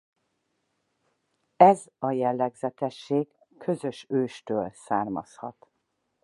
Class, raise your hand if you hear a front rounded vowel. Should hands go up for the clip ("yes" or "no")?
yes